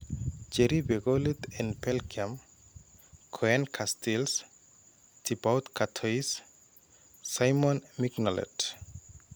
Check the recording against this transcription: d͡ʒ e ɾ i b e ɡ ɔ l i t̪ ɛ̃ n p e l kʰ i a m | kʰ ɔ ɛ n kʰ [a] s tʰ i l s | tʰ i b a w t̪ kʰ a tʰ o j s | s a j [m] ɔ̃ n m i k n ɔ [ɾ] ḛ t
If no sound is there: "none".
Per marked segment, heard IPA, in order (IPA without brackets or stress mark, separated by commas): a, m, l